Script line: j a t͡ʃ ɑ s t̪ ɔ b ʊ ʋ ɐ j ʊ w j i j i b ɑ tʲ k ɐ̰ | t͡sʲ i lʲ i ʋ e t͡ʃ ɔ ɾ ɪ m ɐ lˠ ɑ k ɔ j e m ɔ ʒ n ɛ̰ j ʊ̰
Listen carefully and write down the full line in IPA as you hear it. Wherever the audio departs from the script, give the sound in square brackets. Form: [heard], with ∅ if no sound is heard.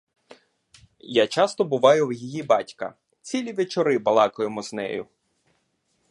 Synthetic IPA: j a t͡ʃ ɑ s t̪ ɔ b ʊ ʋ [ɑ] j ʊ w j i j i b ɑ tʲ k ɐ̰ | t͡sʲ i lʲ i ʋ e t͡ʃ ɔ ɾ ɪ [b] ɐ lˠ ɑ k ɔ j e m ɔ [z] n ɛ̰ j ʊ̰